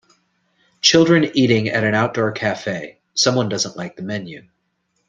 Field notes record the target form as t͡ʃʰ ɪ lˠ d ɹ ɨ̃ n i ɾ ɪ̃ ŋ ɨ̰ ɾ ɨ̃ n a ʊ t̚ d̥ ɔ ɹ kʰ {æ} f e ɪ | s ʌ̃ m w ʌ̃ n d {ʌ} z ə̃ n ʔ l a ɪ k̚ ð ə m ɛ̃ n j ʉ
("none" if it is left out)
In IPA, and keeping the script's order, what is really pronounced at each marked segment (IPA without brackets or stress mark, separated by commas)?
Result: æ, ʌ